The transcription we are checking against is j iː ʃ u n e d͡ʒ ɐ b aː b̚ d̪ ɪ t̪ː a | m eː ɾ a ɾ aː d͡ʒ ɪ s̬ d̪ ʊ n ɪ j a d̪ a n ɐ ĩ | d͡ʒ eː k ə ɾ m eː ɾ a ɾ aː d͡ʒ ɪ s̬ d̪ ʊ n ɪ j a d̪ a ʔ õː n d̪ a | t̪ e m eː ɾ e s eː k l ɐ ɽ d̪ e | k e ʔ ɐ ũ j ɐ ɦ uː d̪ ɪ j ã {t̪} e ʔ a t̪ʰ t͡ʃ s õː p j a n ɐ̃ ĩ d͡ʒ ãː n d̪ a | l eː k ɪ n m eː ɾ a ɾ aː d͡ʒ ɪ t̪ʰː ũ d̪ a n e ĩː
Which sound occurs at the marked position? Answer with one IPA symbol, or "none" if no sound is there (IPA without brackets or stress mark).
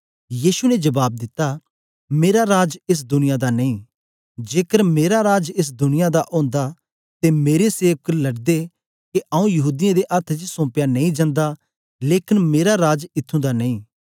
d̪